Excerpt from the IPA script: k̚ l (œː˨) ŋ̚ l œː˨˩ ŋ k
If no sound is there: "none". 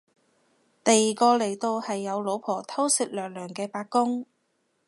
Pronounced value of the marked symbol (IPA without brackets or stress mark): œː˨